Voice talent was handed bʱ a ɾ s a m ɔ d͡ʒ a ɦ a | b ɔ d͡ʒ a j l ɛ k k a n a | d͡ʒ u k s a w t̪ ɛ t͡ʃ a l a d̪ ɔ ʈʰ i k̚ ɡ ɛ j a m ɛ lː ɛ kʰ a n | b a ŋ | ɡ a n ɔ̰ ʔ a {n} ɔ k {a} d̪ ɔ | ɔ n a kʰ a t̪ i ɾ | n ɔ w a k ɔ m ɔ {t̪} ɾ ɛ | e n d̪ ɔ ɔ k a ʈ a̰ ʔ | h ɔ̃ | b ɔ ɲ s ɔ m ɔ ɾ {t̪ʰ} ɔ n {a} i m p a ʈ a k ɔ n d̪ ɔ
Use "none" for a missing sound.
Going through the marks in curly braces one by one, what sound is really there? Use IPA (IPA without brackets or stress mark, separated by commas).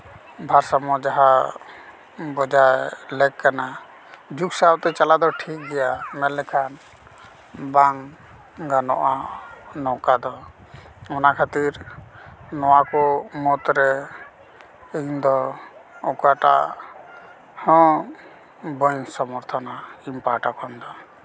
n, a, t̪, t̪ʰ, a